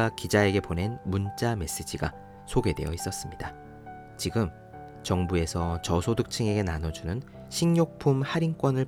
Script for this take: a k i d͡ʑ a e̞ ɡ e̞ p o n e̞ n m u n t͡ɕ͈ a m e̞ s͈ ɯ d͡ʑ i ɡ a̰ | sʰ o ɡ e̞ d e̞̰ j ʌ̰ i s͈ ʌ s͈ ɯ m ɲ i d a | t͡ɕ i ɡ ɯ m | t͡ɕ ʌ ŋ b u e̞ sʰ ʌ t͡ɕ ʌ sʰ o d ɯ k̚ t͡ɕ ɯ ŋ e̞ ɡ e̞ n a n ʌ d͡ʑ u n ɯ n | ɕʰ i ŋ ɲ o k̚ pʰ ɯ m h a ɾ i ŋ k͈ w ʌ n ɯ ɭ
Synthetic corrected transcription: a k i d͡ʑ a e̞ ɡ e̞ p o n e̞ n m u n t͡ɕ͈ a m e̞ s͈ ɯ d͡ʑ i ɡ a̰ | sʰ o ɡ e̞ d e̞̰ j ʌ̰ i s͈ ʌ s͈ ɯ m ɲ i d a | t͡ɕ i ɡ ɯ m | t͡ɕ ʌ ŋ b u e̞ sʰ ʌ t͡ɕ ʌ sʰ o d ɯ k̚ t͡ɕʰ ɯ ŋ e̞ ɡ e̞ n a n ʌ d͡ʑ u n ɯ n | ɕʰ i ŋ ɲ o k̚ pʰ u m h a ɾ i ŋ k͈ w ʌ n ɯ ɭ